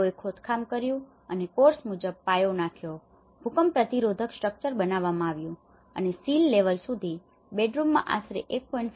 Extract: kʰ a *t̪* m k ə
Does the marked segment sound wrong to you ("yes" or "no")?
yes